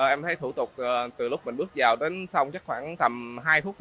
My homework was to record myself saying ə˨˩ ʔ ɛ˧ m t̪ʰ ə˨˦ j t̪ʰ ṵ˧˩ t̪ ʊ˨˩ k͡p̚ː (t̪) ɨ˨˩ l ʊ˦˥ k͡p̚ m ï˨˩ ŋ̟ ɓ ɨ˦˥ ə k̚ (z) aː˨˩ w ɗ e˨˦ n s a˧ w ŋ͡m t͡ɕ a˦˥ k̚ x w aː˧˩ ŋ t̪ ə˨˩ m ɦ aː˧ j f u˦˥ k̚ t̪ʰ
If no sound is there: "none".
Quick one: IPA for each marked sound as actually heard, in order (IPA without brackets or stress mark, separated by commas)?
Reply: t̪, z